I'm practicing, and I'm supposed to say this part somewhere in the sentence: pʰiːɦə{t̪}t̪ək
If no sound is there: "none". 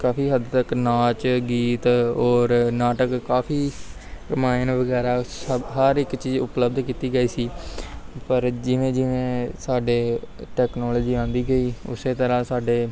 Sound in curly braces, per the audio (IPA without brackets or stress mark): d̪